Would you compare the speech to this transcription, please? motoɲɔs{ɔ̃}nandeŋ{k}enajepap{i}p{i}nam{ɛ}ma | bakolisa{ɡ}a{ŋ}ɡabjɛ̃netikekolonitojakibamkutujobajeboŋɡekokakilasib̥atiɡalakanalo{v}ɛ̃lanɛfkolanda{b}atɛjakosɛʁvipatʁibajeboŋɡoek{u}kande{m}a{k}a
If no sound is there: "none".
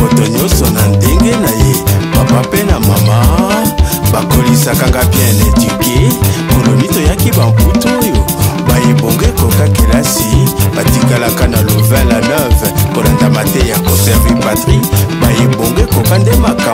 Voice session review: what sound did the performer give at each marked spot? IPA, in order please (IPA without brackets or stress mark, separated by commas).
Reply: ɔ, ɡ, a, e, a, k, ŋ, v, m, o, m, k